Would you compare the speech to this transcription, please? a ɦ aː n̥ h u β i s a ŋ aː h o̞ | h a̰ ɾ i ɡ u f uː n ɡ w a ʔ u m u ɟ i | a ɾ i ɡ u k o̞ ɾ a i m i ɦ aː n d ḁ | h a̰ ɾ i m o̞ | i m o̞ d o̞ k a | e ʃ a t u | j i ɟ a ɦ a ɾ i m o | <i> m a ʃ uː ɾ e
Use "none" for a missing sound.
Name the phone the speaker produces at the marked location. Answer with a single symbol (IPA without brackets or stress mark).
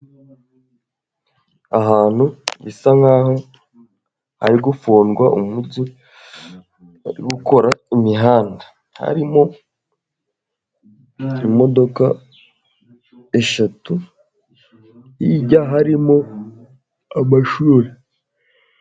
a